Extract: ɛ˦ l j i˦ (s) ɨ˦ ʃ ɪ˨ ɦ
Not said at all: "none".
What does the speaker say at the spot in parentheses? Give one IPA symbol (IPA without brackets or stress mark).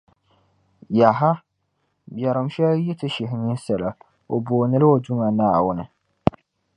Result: t